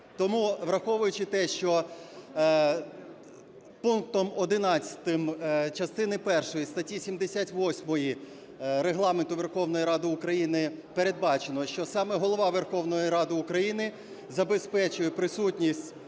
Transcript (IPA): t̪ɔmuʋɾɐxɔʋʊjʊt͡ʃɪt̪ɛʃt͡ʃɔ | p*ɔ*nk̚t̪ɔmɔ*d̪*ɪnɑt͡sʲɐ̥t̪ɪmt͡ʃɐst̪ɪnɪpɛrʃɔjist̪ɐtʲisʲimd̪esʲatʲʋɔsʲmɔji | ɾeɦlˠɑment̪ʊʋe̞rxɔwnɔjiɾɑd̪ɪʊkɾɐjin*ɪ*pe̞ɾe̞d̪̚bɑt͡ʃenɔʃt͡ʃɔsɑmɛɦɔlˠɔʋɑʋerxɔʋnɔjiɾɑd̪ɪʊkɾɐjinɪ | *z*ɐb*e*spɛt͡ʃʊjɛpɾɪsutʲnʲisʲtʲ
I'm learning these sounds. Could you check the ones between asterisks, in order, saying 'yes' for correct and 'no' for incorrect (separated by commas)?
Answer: no, yes, yes, yes, yes